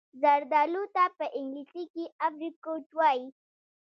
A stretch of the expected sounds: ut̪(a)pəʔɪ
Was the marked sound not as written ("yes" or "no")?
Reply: no